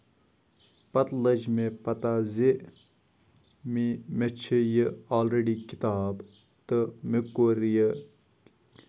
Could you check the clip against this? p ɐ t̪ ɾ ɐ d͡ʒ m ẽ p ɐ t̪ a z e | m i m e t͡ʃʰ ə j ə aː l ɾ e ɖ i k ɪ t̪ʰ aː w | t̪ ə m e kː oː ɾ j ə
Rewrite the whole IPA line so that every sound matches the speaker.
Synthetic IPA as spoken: p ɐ t̪ l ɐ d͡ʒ m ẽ p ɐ t̪ a z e | m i m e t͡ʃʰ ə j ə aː l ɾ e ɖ i k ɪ t̪ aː b | t̪ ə m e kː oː ɾ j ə